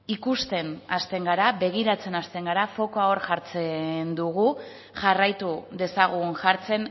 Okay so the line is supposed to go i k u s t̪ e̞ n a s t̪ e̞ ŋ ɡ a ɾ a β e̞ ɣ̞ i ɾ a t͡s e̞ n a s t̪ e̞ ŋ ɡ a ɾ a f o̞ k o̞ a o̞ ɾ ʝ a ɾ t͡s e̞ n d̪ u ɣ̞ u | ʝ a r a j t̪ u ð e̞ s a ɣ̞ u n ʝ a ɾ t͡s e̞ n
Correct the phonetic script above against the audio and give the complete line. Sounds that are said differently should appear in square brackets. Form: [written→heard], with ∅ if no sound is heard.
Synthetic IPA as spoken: i k u s t̪ e̞ n a s t̪ e̞ ŋ ɡ a ɾ a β e̞ ɣ̞ i ɾ a t͡s e̞ n a s t̪ e̞ ŋ ɡ a ɾ a f o̞ k o̞ a o̞ ɾ ʝ a ɾ t͡s e̞ n d̪ u ɣ̞ u | ʝ a r a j t̪ u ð e̞ s a ɣ̞ u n ʝ a ɾ t͡s e̞ n

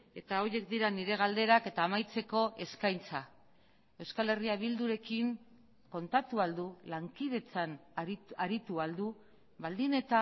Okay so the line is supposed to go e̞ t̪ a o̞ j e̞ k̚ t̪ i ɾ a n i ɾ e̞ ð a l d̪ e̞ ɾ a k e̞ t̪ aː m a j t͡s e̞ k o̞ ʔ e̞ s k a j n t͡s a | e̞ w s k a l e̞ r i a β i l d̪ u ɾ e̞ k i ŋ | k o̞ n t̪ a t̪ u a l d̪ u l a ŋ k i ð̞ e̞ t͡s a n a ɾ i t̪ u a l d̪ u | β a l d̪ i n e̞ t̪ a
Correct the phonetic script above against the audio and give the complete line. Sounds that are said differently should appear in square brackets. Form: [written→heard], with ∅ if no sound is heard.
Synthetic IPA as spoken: e̞ t̪ a o̞ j e̞ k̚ [t̪→d̪] i ɾ a n i ɾ e̞ [ð→ɣ] a l d̪ e̞ ɾ a k e̞ t̪ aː m a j t͡s e̞ k o̞ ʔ e̞ s k a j n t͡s a | e̞ w s k a l e̞ r i a β i l d̪ u ɾ e̞ k i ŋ | k o̞ n t̪ a t̪ u a l d̪ u l a ŋ k i ð̞ e̞ t͡s a n a ɾ i t̪ u a l d̪ u | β a l d̪ i n e̞ t̪ a

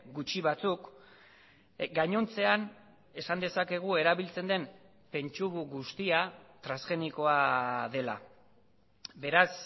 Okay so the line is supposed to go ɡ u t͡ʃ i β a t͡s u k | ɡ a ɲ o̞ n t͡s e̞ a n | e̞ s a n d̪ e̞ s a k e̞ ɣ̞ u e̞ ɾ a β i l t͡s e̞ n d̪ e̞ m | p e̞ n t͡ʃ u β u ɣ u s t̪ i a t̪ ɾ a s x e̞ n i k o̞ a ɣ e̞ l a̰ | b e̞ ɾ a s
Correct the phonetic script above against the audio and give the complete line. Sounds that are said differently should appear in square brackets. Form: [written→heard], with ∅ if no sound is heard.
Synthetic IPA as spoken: ɡ u t͡ʃ i β a t͡s u k | ɡ a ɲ o̞ n t͡s e̞ a n | e̞ s a n d̪ e̞ s a k e̞ ɣ̞ u e̞ ɾ a β i l t͡s e̞ n d̪ e̞ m | p e̞ n t͡ʃ u β u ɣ u s t̪ i a t̪ ɾ a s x e̞ n i k o̞ a [ɣ→ð] e̞ l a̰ | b e̞ ɾ a s

